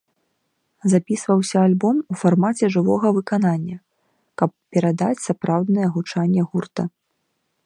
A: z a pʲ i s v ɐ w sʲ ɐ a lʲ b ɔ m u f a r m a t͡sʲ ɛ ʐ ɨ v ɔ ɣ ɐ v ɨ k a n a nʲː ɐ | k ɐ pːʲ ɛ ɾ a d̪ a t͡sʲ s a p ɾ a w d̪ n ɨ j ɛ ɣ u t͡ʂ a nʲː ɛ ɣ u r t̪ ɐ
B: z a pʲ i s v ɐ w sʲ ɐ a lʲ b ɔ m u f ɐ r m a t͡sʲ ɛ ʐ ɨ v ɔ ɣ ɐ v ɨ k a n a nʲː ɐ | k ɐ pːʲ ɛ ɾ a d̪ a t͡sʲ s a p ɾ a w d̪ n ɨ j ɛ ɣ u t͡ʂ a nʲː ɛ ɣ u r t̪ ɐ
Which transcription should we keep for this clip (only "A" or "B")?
A